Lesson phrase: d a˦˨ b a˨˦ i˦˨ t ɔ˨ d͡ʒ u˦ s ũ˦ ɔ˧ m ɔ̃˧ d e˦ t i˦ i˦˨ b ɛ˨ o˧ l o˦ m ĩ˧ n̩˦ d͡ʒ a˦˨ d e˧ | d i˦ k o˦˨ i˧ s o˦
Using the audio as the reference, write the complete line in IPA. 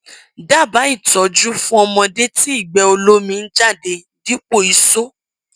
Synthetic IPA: d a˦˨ b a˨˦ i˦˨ t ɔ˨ d͡ʒ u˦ f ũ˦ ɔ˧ m ɔ̃˧ d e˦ t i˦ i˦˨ ɡ͡b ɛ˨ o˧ l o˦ m ĩ˧ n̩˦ d͡ʒ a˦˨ d e˧ | d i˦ k͡p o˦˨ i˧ s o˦